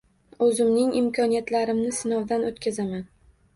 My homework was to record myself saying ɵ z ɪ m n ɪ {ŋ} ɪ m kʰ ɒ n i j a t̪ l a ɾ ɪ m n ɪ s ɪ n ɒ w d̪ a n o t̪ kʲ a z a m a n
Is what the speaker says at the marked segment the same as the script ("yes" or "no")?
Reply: yes